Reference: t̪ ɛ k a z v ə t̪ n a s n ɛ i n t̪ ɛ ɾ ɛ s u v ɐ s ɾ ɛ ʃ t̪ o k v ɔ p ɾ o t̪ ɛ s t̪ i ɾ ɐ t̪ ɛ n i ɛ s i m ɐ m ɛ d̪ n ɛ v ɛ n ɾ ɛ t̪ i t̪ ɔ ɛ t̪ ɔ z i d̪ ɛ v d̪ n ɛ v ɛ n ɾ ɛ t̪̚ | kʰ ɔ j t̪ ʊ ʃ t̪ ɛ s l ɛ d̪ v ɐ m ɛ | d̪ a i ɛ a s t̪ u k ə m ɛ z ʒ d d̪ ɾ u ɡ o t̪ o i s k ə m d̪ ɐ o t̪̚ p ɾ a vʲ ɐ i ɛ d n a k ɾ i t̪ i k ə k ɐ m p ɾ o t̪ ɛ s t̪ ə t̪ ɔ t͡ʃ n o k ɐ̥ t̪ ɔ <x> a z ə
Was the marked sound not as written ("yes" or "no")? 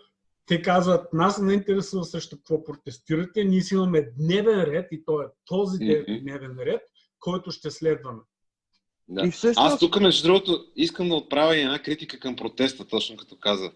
yes